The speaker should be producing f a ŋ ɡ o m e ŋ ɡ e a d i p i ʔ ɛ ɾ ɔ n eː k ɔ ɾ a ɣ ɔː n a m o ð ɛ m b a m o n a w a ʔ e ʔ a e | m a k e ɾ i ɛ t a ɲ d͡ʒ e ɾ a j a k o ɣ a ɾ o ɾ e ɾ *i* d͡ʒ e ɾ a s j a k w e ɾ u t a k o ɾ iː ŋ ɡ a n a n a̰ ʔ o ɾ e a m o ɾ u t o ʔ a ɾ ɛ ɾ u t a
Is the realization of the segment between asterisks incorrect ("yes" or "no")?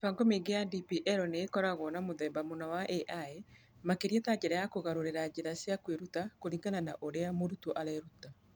yes